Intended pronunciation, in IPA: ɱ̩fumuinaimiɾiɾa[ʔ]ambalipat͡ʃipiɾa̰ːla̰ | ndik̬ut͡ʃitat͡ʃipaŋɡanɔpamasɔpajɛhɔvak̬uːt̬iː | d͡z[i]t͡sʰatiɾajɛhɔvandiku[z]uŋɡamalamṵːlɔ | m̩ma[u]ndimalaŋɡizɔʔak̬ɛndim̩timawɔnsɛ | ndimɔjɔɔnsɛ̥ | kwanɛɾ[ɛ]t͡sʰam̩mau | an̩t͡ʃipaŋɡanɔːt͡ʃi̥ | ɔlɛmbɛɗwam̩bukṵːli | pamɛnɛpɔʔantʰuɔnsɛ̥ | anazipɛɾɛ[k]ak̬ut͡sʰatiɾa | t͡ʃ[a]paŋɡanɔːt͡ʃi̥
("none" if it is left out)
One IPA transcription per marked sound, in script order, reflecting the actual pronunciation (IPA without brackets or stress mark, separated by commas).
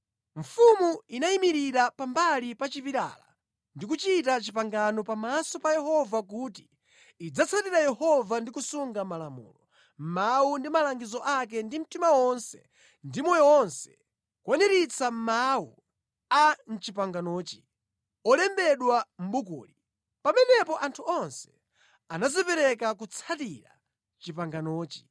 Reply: p, a, s, u, i, k, i